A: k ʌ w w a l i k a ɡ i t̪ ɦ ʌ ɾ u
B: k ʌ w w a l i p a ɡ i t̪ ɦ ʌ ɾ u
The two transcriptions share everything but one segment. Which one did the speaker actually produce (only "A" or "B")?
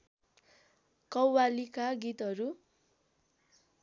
A